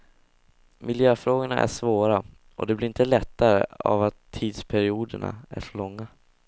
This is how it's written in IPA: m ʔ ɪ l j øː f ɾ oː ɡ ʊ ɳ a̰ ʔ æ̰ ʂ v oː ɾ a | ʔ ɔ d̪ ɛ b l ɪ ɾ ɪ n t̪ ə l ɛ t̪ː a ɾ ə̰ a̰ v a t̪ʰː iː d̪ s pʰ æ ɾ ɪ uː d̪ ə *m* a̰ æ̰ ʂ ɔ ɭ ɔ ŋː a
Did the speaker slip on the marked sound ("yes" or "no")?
yes